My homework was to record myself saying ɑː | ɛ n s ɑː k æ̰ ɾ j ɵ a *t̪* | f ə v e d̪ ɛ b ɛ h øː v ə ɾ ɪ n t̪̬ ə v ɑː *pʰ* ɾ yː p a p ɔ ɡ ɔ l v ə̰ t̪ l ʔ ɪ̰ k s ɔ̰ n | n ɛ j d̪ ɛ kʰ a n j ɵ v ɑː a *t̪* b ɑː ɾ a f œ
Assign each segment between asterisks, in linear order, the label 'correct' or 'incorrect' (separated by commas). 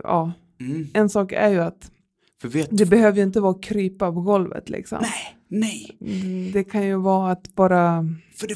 correct, incorrect, correct